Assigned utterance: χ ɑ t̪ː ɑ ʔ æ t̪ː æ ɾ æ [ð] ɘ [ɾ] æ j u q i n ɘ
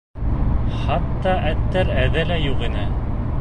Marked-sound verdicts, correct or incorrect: correct, incorrect: l

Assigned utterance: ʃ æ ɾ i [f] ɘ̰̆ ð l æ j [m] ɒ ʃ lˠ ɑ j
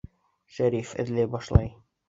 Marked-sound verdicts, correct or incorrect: correct, incorrect: b

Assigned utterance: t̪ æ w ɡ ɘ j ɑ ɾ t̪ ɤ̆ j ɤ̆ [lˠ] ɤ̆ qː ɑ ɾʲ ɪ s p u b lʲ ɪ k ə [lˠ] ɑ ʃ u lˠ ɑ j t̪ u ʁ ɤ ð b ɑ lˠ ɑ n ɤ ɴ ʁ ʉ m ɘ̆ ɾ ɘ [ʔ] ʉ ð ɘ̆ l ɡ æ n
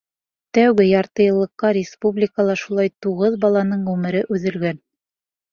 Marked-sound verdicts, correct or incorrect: incorrect: lˠː, correct, correct

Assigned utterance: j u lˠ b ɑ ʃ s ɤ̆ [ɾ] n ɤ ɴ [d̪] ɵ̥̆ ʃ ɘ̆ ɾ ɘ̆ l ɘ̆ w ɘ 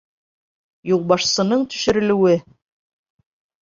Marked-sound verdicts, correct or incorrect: incorrect: none, incorrect: t̪

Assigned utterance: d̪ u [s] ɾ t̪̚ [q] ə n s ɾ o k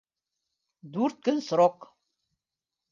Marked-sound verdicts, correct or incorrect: incorrect: none, incorrect: k

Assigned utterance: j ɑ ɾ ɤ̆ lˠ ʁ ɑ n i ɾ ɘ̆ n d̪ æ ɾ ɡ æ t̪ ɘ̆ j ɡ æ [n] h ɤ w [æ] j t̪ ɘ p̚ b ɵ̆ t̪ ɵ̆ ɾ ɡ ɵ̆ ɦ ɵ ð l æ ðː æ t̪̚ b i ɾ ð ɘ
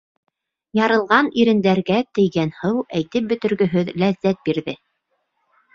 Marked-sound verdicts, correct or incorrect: correct, correct

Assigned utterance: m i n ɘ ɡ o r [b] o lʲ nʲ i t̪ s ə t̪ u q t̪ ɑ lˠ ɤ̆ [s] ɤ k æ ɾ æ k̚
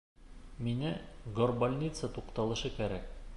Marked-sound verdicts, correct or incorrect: correct, incorrect: ʃ

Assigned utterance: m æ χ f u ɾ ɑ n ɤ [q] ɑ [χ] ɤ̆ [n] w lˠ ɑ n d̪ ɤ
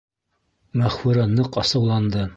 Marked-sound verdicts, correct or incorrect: correct, incorrect: s, incorrect: none

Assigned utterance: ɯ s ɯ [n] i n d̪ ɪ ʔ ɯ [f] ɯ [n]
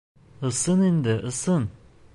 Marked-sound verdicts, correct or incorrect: correct, incorrect: s, correct

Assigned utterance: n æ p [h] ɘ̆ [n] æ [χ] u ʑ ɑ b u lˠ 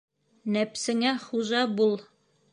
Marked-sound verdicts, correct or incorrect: incorrect: s, incorrect: ŋ, correct

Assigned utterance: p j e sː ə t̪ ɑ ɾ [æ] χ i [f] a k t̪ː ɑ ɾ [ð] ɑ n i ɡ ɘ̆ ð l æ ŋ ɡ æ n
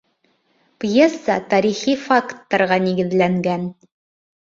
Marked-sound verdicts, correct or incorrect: incorrect: i, correct, incorrect: ʁ

